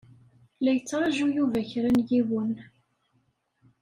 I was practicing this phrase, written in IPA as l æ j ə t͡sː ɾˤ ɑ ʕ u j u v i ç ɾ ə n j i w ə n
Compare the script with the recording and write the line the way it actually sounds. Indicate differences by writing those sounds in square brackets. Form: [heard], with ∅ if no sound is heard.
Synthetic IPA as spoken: l æ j ə t͡sː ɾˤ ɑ [ʒ] u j u v [æ] ç ɾ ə n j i w ə n